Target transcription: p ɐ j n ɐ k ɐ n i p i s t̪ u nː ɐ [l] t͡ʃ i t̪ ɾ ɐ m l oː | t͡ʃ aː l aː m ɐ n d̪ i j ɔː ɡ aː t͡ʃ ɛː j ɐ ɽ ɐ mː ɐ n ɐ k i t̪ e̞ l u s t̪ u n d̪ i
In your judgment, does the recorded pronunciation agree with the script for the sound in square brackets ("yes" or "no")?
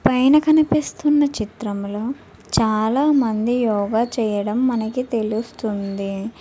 no